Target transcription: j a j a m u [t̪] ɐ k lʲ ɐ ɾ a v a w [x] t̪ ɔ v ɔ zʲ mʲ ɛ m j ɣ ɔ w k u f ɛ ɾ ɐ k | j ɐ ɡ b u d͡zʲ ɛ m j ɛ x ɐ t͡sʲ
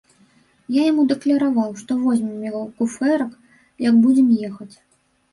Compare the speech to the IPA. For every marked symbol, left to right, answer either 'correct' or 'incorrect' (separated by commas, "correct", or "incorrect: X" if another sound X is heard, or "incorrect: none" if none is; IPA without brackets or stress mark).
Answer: incorrect: d̪, incorrect: ʂ